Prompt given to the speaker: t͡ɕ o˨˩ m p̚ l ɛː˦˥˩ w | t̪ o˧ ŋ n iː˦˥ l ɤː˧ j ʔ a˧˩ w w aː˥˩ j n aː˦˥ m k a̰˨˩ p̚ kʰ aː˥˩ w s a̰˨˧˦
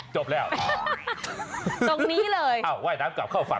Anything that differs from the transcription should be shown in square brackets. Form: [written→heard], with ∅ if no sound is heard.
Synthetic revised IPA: t͡ɕ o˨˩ [m→∅] p̚ l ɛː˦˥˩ w | t̪ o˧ ŋ n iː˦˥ l ɤː˧ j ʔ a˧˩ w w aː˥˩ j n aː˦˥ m k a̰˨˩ p̚ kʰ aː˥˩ w [s→f] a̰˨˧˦